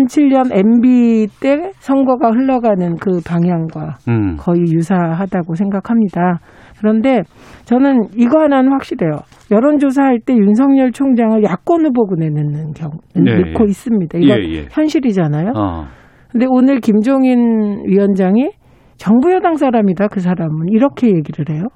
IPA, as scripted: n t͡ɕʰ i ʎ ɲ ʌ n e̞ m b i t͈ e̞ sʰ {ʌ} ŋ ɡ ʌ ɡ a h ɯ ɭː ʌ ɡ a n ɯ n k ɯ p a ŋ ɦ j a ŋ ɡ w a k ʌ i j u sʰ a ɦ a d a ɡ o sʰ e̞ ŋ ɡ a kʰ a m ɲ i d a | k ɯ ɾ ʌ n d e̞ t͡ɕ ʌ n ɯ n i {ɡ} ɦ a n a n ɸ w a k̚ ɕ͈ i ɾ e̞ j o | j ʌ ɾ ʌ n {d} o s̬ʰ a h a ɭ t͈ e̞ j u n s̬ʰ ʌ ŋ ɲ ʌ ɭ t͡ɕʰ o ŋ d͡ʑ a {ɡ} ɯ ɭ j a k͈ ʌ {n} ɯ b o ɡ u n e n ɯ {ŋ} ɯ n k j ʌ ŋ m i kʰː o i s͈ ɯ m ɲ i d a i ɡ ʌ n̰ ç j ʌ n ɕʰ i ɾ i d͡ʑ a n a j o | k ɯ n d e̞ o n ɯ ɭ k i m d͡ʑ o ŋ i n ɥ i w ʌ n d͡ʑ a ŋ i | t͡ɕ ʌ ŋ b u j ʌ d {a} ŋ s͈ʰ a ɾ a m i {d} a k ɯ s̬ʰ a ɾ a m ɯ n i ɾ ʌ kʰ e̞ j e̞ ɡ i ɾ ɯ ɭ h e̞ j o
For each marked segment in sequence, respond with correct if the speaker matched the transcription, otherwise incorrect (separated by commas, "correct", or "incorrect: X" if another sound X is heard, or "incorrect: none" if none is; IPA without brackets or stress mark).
correct, correct, incorrect: d͡ʑ, incorrect: ŋ, correct, incorrect: n, correct, correct